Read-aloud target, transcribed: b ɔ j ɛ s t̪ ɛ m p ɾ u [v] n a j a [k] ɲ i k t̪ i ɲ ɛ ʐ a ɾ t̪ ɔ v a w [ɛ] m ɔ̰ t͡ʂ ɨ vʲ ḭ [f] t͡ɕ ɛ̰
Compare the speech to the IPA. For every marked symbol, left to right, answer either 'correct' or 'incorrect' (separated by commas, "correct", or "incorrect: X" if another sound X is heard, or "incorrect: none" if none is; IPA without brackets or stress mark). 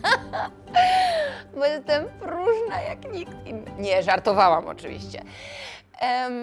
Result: incorrect: ʐ, correct, incorrect: a, incorrect: ɕ